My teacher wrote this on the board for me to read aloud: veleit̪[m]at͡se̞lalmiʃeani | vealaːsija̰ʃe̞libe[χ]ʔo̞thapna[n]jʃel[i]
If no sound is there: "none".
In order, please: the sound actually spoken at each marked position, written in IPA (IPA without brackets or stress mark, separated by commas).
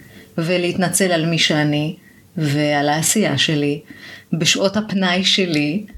n, ʃ, none, i